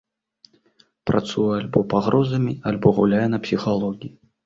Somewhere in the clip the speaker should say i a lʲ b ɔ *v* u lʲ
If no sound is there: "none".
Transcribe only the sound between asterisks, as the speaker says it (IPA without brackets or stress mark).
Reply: ɣ